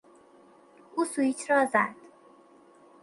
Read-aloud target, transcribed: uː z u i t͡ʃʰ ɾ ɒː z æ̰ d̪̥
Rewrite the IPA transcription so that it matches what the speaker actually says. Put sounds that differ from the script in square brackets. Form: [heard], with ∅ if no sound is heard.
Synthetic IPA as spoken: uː [s] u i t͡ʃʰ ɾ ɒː z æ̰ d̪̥